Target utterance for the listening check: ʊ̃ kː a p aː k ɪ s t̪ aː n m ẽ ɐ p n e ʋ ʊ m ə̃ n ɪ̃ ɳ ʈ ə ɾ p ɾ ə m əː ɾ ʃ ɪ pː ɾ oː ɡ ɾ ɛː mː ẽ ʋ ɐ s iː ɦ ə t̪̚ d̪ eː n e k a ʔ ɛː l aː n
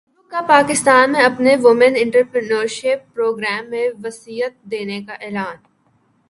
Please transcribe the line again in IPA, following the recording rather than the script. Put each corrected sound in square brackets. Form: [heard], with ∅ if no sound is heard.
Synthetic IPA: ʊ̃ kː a p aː k ɪ s t̪ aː n m ẽ ɐ p n e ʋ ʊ m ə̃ n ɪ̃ ɳ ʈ ə ɾ p ɾ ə [n] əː ɾ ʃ ɪ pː ɾ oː ɡ ɾ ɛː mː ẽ ʋ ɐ s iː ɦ ə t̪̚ d̪ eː n e k a ʔ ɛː l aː n